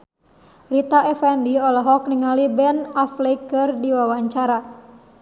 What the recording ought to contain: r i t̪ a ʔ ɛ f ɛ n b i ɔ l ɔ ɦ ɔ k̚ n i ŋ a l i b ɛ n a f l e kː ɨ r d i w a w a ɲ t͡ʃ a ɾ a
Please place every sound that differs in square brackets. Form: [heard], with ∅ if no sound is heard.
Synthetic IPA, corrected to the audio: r i t̪ a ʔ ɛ f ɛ n [d] i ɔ l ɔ ɦ ɔ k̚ n i ŋ a l i b ɛ n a f l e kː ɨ r d i w a w a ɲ t͡ʃ a ɾ a